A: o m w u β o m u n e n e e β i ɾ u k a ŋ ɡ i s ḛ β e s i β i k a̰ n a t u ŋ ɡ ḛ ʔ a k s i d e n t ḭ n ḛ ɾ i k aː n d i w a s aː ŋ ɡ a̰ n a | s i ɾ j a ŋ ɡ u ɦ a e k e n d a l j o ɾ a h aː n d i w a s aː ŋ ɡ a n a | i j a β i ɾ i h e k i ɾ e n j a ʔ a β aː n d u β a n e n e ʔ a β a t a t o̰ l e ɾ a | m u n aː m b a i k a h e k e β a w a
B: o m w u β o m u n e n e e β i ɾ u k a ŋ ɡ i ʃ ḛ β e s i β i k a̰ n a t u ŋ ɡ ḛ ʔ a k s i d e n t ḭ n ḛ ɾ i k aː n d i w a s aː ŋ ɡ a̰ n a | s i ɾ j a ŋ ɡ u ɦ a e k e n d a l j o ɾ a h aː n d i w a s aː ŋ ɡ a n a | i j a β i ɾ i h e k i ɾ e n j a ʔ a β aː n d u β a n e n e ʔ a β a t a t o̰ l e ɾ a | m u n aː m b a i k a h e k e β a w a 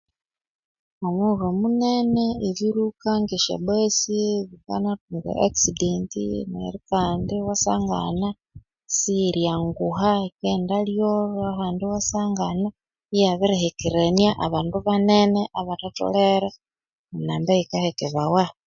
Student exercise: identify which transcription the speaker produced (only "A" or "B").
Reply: B